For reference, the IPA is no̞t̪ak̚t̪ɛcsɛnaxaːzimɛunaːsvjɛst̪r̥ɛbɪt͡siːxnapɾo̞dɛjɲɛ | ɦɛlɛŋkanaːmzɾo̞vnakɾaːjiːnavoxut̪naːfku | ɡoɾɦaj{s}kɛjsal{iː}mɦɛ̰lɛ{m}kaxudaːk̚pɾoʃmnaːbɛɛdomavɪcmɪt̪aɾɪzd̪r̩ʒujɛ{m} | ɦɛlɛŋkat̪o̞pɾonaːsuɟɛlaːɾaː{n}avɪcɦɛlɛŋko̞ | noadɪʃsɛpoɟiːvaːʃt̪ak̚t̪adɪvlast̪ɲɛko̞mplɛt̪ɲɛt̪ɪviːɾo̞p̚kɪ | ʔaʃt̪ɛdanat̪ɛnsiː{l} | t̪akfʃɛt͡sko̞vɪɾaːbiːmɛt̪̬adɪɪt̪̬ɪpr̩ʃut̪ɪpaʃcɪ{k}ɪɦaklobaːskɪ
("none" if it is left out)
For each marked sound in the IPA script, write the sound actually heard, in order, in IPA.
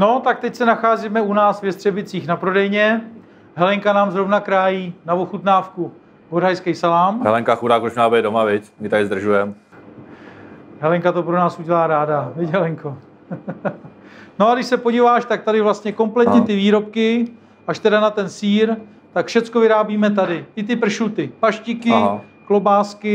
s, aː, ŋ, m, d, ɾ, k

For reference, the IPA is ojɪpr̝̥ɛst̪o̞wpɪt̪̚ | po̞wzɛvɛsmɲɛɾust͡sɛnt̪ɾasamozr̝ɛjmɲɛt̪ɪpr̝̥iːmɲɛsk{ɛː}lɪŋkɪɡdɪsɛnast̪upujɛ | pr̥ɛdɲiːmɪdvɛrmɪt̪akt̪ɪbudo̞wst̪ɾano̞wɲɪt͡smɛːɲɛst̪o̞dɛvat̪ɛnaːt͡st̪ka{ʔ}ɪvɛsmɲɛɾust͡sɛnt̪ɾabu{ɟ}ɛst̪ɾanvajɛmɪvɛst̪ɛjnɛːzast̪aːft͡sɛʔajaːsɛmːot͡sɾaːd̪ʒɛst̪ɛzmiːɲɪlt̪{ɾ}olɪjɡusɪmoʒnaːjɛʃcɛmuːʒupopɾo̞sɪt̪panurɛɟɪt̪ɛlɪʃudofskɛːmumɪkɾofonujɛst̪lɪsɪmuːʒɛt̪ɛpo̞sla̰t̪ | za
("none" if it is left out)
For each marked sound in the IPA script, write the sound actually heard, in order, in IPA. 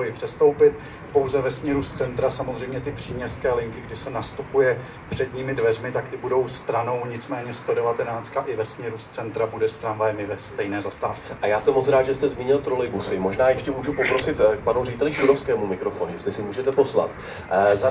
ɛː, ʔ, d, ɾ

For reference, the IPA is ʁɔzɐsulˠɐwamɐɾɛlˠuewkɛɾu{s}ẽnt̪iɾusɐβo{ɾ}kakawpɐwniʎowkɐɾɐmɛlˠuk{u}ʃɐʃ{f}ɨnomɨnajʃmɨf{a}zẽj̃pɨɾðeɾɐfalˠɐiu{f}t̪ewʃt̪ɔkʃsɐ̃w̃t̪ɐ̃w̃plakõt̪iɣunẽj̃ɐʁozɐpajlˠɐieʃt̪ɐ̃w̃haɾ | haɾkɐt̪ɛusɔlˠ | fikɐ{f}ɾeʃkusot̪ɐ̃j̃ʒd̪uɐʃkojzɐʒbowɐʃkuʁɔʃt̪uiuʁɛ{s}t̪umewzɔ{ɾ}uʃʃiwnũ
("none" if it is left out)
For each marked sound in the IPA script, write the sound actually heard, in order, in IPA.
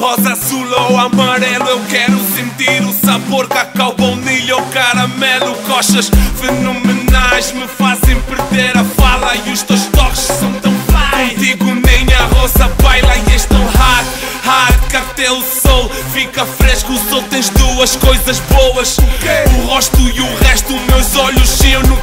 s, ɾ, ɔ, f, a, ʃ, f, ʃ, ʎ

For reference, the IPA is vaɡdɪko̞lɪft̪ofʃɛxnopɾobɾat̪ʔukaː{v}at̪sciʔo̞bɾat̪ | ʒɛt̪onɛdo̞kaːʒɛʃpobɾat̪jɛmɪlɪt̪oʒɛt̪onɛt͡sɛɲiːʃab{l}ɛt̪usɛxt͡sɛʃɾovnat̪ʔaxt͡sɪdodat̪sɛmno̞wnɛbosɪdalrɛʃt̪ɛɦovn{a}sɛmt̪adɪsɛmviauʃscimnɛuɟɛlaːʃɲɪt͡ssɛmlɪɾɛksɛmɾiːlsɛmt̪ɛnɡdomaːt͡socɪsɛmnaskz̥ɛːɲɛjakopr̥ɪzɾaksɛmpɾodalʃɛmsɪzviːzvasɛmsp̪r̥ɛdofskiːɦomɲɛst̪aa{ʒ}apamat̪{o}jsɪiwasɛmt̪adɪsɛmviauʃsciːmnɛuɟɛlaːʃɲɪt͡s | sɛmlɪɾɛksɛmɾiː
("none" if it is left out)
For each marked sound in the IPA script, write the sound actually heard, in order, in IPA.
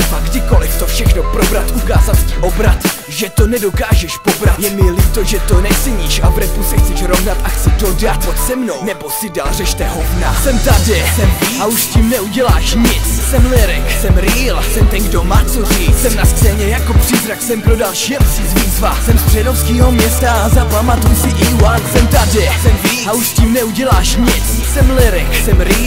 z, ɾ, a, z, u

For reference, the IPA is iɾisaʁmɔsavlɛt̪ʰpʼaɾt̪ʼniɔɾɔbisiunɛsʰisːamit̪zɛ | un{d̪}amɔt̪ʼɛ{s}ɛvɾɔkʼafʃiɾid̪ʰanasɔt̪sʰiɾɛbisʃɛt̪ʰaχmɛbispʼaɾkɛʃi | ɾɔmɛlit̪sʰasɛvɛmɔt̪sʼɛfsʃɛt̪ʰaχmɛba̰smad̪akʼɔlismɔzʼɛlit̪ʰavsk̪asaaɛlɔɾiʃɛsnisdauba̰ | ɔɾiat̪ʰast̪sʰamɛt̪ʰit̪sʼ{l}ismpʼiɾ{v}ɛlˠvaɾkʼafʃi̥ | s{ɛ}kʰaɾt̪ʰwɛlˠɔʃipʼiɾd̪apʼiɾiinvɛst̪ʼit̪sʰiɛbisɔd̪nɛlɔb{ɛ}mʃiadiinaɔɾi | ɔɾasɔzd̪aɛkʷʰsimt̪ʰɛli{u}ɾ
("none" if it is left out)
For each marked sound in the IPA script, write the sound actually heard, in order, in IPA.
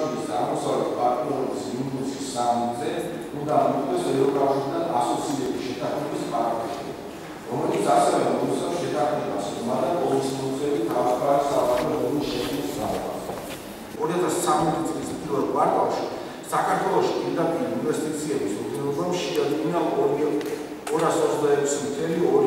d̪, s, l, v, a, a, ɔ

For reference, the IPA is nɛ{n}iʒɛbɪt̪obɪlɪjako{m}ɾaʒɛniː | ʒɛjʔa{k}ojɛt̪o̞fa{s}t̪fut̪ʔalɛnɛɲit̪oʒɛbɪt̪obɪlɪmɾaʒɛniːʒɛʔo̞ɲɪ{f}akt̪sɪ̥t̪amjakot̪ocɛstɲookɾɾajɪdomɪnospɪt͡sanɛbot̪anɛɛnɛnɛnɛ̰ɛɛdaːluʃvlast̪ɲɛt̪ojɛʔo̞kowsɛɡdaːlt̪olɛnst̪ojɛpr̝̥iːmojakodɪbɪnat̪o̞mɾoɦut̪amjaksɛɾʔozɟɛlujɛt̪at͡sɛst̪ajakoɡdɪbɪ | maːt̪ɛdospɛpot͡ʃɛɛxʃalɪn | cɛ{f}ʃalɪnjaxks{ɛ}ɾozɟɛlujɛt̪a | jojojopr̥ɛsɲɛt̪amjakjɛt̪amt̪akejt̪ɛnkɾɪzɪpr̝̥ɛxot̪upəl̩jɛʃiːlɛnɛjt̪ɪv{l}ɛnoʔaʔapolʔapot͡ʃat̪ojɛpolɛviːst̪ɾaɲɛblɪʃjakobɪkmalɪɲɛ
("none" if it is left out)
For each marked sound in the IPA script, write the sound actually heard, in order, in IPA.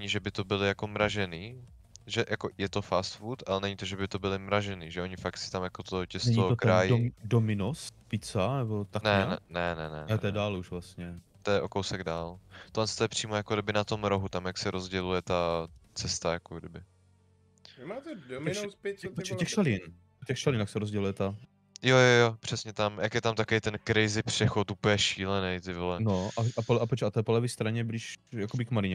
ɲ, m, k, s, f, x, ɛ, l

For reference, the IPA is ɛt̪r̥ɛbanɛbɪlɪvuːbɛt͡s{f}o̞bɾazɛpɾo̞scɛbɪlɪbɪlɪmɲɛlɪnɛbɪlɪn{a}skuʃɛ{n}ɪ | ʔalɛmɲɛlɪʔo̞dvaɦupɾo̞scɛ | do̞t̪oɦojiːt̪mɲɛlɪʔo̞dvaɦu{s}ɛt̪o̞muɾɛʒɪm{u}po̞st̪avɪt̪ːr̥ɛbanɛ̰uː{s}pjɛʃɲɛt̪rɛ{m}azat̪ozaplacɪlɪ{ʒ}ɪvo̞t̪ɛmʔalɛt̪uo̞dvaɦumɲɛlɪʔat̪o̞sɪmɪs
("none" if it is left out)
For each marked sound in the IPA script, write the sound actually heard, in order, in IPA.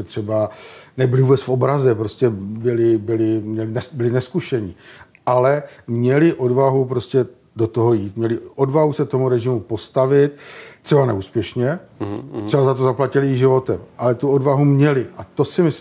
f, ɛ, ɲ, s, u, s, b, ʒ

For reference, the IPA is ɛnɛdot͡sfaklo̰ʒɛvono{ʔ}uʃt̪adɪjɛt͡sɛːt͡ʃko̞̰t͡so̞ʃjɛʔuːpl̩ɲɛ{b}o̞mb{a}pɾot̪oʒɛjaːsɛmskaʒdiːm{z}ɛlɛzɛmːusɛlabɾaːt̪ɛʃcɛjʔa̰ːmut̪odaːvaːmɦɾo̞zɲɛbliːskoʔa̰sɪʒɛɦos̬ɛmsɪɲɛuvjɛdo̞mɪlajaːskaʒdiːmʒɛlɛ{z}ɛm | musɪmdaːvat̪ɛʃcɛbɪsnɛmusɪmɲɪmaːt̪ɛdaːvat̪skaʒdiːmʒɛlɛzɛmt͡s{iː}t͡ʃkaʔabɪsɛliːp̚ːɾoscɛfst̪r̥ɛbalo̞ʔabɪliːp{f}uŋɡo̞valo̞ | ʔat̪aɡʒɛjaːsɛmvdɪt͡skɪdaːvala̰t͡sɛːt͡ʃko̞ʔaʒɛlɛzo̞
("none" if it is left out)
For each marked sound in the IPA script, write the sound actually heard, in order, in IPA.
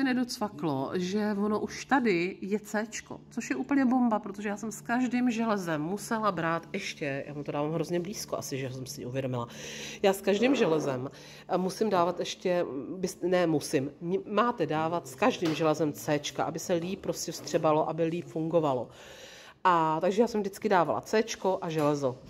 ʔ, b, a, ʒ, z, ɛː, f

